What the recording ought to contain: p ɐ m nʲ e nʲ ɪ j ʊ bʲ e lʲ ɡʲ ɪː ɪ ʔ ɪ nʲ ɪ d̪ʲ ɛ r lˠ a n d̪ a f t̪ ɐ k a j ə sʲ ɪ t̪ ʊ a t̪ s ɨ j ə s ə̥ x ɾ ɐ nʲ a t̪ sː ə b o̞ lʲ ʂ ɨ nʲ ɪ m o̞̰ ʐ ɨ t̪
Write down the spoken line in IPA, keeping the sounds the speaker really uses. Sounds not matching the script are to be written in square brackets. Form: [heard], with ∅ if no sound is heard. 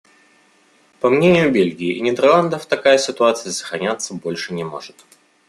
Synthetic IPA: p ɐ m nʲ e nʲ ɪ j ʊ bʲ e lʲ ɡʲ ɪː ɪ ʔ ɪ nʲ ɪ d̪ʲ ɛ r lˠ a n d̪ [ə] f t̪ ɐ k a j ə sʲ ɪ t̪ ʊ a t̪ s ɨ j ə s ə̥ x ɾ ɐ nʲ a t̪ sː ə b o̞ lʲ ʂ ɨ nʲ ɪ m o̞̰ ʐ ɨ t̪